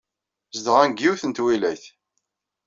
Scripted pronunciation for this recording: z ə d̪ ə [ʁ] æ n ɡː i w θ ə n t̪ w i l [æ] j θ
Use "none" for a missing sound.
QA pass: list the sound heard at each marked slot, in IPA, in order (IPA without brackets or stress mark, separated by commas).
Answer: ʁ, æ